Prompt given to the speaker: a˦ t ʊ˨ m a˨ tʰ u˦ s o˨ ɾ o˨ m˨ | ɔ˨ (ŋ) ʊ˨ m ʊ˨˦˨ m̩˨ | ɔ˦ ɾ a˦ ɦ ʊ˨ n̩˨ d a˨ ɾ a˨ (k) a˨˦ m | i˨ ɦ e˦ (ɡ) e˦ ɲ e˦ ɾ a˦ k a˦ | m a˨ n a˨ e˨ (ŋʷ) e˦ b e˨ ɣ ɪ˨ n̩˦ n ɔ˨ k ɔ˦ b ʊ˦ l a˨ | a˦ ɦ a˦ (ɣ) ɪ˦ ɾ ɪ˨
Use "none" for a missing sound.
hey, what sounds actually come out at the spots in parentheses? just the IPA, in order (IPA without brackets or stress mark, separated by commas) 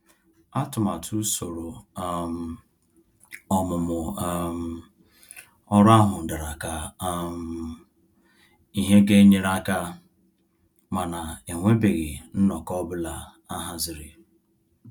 m, k, ɡ, ŋʷ, z